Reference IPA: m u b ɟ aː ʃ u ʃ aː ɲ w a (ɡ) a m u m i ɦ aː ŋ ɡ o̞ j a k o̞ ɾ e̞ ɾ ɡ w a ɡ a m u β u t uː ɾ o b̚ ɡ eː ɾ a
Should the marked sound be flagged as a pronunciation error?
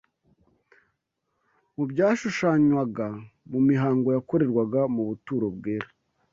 no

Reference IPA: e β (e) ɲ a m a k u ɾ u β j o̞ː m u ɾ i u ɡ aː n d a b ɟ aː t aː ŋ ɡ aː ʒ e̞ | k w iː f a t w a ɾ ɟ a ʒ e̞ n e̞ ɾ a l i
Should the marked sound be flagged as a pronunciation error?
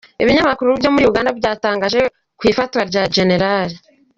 yes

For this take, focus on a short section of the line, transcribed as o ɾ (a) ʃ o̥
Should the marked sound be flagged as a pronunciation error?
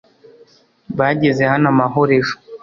yes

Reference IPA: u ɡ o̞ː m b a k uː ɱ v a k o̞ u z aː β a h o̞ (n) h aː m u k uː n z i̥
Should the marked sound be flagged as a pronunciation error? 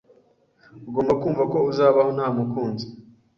no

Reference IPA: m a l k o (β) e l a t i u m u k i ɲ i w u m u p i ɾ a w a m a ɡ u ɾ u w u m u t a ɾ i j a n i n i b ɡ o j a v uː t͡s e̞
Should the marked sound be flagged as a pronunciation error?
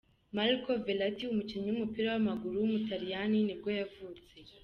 yes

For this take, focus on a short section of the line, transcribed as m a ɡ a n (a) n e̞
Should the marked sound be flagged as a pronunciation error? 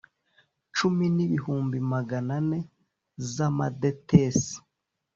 no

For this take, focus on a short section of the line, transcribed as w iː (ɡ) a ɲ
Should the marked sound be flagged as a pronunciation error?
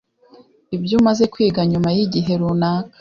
no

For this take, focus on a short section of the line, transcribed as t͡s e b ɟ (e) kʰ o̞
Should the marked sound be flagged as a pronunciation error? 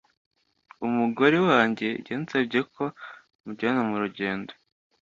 no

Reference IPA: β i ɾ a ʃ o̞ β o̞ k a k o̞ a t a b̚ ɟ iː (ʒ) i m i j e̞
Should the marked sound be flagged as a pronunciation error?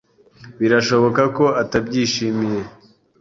yes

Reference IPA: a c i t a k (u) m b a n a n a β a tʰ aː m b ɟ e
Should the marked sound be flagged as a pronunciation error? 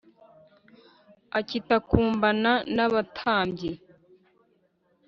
yes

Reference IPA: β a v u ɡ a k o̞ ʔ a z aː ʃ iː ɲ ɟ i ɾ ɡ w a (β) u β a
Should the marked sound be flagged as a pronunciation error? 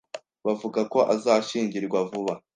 yes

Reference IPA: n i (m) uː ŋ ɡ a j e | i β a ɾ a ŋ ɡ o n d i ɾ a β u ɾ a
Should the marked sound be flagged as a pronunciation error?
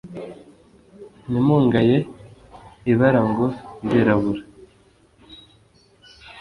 no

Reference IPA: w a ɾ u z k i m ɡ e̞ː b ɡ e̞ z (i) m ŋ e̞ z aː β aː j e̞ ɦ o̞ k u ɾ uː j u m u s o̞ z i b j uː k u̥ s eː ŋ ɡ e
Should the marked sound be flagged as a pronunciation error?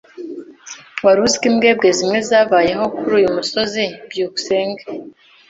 no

